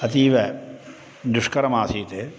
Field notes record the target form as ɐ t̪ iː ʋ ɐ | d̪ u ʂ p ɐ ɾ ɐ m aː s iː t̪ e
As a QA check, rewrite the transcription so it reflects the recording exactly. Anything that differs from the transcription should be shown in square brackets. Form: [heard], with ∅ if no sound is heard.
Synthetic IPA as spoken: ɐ t̪ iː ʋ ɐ | d̪ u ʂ [k] ɐ ɾ ɐ m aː s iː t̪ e

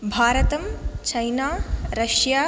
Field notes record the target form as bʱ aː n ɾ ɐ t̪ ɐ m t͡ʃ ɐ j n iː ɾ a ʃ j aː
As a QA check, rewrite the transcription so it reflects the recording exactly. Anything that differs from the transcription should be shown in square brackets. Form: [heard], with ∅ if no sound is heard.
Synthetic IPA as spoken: bʱ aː [∅] ɾ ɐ t̪ ɐ m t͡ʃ ɐ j n [aː] ɾ [ɐ] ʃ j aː

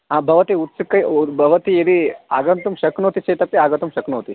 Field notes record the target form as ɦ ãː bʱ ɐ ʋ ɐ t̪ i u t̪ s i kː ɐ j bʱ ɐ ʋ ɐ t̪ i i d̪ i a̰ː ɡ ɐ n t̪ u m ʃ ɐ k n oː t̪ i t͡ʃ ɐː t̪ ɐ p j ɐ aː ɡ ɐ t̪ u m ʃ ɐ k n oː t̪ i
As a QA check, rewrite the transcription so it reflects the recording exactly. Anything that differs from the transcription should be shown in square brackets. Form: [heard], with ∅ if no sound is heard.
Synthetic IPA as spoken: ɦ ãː bʱ ɐ ʋ ɐ t̪ i u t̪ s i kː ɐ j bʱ ɐ ʋ ɐ t̪ i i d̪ i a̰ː ɡ ɐ n t̪ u m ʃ ɐ k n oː t̪ i t͡ʃ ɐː t̪ ɐ p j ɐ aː ɡ ɐ t̪ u m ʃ ɐ k n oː t̪ i

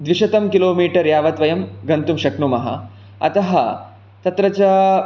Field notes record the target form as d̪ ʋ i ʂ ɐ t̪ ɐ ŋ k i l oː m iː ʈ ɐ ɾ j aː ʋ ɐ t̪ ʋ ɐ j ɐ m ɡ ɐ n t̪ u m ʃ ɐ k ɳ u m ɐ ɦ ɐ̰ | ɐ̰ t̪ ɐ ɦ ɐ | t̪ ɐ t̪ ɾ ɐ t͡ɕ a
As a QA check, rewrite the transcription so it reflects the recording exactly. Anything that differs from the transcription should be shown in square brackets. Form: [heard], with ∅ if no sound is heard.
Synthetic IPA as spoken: d̪ ʋ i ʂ ɐ t̪ ɐ [m] k i l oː m iː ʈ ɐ ɾ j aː ʋ ɐ t̪ ʋ ɐ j ɐ m ɡ ɐ n t̪ u m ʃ ɐ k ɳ u m ɐ ɦ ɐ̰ | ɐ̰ t̪ ɐ ɦ ɐ | t̪ ɐ t̪ ɾ ɐ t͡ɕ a

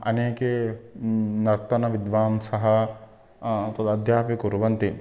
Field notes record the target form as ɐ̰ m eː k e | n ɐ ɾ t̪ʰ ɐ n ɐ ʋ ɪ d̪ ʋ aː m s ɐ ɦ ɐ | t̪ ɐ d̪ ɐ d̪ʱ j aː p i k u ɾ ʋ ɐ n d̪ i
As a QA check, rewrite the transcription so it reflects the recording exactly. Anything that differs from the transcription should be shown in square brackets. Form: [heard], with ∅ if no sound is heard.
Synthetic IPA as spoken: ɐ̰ [n] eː k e | n ɐ ɾ [t̪] ɐ n ɐ ʋ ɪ d̪ ʋ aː m s ɐ ɦ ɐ | t̪ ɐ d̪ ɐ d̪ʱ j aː p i k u ɾ ʋ ɐ n [t̪] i

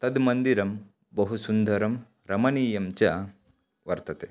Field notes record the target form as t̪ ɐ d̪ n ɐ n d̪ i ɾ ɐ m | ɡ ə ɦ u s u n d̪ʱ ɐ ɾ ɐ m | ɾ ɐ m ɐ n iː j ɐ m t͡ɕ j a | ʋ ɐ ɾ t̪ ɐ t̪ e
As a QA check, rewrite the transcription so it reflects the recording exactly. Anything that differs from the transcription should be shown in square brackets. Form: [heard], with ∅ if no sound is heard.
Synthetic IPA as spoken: t̪ ɐ d̪ [m] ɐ n d̪ i ɾ ɐ m | [b] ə ɦ u s u n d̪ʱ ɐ ɾ ɐ m | ɾ ɐ m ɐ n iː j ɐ m t͡ɕ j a | ʋ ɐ ɾ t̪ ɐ t̪ e

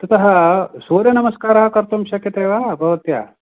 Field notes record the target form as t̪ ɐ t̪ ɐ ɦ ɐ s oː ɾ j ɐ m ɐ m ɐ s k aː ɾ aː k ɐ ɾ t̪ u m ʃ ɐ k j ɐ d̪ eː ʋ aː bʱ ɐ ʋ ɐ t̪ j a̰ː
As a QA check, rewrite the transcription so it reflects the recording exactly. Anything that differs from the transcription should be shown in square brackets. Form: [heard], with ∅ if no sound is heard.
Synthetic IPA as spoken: t̪ ɐ t̪ ɐ ɦ ɐ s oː ɾ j ɐ [n] ɐ m ɐ s k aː ɾ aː k ɐ ɾ t̪ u m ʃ ɐ k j ɐ [t̪] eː ʋ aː bʱ ɐ ʋ ɐ t̪ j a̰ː

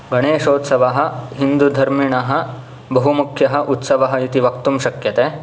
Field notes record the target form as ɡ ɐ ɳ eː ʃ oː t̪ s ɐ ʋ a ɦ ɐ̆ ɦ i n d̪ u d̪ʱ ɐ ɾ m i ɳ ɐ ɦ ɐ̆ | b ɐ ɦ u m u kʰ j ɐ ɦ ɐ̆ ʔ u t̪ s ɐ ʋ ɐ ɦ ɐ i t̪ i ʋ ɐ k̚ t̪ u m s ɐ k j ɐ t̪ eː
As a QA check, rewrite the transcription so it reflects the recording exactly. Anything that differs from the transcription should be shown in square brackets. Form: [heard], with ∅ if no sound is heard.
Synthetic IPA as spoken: ɡ ɐ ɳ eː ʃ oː t̪ s ɐ ʋ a ɦ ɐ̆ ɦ i n d̪ u d̪ʱ ɐ ɾ m i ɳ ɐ ɦ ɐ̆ | b ɐ ɦ u m u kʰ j ɐ ɦ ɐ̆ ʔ u t̪ s ɐ ʋ ɐ ɦ ɐ i t̪ i ʋ ɐ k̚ t̪ u m [ʃ] ɐ k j ɐ t̪ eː

